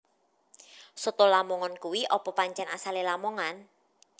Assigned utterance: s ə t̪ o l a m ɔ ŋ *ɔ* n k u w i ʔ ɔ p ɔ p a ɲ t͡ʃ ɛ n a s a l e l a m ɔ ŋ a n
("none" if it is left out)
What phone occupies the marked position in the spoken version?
ɔ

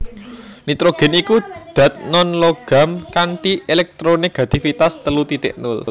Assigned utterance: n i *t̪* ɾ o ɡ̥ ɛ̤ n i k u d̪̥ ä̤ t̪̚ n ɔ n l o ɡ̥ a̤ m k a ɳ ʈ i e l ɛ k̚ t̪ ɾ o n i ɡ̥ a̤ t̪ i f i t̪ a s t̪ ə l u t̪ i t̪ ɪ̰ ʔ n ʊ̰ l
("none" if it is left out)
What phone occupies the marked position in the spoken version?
t̪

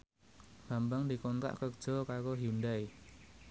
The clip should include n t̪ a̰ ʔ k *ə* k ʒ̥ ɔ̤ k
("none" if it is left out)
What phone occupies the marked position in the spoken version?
ə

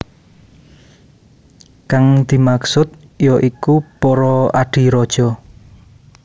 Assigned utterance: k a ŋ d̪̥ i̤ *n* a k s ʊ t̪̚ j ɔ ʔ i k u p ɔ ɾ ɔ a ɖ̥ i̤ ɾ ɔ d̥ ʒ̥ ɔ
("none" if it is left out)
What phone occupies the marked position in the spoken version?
m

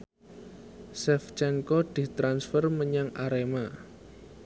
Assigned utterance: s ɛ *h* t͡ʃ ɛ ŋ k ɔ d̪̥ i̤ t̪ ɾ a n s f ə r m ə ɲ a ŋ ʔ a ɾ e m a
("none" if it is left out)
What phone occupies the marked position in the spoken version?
f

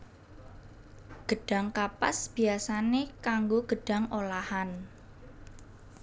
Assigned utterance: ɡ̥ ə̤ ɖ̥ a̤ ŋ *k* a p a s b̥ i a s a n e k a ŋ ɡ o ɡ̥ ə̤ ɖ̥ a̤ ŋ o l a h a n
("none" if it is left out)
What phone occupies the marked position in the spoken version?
k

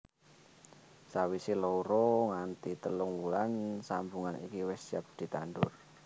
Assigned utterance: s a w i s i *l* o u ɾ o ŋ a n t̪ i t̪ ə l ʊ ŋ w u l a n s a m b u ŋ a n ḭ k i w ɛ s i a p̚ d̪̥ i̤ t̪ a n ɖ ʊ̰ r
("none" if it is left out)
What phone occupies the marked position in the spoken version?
l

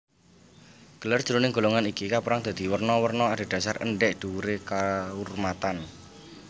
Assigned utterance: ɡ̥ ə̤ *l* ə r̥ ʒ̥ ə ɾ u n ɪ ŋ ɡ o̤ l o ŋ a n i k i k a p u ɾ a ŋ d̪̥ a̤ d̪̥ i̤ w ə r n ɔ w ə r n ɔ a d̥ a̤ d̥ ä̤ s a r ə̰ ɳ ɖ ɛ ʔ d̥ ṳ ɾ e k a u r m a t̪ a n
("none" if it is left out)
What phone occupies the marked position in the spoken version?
l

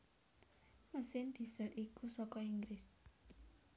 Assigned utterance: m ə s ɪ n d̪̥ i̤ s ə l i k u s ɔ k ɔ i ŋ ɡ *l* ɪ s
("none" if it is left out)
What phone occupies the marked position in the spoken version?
ɾ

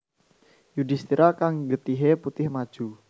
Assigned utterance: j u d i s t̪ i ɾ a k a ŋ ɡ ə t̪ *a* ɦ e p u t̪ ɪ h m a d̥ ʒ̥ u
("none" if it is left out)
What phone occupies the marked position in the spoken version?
i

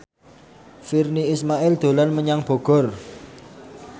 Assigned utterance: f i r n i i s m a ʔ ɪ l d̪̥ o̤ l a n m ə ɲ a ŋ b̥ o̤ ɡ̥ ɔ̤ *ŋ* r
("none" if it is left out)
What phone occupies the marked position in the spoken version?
none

